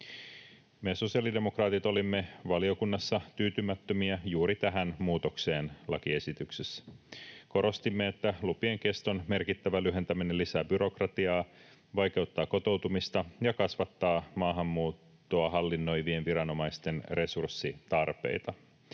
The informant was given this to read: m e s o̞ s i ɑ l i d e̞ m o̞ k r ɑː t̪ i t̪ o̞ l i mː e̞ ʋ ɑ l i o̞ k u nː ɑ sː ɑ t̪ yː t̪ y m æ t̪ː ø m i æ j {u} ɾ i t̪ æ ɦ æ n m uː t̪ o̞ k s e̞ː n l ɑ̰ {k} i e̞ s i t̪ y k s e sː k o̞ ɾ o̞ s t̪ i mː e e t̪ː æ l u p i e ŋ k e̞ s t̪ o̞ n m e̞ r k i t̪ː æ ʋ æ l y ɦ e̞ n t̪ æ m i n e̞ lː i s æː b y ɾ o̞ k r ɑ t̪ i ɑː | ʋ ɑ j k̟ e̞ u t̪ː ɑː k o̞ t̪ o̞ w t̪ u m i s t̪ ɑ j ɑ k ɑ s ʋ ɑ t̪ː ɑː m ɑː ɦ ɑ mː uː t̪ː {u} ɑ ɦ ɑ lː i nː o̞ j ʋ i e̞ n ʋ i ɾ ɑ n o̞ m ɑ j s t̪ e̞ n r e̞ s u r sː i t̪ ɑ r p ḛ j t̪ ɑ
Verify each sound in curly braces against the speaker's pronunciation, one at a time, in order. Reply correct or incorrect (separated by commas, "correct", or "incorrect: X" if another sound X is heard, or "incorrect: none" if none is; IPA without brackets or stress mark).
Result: incorrect: uː, correct, incorrect: o